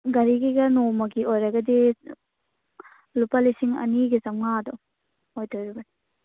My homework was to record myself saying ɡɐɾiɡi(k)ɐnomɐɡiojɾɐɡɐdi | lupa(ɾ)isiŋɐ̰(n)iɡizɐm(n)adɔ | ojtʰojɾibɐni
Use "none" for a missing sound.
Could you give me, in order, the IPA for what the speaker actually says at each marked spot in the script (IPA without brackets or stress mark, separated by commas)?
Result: ɡ, l, n, ŋ